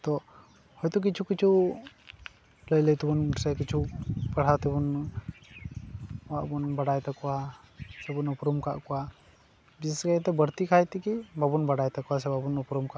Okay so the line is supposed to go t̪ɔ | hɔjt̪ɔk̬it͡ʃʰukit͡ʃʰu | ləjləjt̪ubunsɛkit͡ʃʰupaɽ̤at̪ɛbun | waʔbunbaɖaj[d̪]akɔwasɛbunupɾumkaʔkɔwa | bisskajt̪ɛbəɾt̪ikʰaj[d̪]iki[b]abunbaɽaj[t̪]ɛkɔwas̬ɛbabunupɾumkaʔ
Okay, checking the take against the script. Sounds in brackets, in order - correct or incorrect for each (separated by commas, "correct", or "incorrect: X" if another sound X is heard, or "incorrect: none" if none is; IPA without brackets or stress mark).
incorrect: t̪, incorrect: t̪, correct, correct